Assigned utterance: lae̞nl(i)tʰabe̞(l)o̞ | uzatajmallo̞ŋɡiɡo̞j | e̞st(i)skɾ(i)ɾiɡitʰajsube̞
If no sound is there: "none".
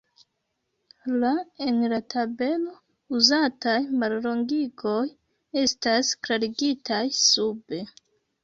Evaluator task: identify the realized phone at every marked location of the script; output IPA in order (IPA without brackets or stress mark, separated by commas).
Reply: a, l, a, a